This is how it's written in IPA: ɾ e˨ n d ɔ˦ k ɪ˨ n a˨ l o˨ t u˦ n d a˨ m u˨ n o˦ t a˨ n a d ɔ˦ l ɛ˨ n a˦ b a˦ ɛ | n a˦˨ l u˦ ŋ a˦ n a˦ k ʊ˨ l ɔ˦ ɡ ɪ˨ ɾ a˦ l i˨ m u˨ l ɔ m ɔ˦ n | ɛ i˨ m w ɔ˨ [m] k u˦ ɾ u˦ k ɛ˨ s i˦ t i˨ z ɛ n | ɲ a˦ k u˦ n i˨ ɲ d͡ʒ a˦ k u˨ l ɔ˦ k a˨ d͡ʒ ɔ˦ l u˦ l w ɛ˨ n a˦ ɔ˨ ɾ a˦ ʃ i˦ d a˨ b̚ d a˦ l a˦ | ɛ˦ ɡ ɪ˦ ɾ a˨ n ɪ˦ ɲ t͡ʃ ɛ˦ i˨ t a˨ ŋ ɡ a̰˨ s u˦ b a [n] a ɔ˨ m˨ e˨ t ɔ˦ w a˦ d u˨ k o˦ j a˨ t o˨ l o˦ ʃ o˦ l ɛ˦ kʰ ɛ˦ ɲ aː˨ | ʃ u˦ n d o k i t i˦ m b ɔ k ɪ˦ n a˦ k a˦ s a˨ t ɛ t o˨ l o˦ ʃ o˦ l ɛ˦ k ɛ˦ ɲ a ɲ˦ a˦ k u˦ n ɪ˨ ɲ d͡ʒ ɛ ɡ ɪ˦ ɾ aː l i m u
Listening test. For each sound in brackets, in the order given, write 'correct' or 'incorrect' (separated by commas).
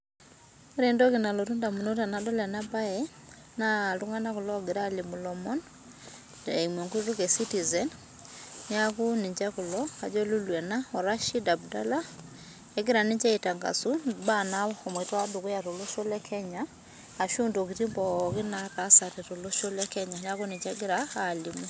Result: incorrect, correct